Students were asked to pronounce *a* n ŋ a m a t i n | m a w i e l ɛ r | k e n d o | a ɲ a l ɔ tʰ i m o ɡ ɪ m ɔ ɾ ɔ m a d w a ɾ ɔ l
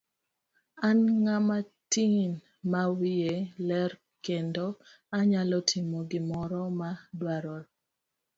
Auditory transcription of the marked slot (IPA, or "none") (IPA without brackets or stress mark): a